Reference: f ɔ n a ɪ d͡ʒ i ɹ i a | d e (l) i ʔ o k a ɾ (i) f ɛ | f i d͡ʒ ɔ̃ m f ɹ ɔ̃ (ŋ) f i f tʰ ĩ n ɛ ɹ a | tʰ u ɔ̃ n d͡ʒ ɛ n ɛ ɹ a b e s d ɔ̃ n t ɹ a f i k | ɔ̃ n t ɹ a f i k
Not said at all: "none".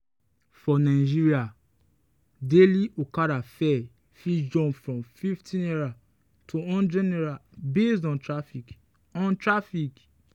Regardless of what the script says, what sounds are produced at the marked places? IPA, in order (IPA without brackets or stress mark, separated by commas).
l, a, m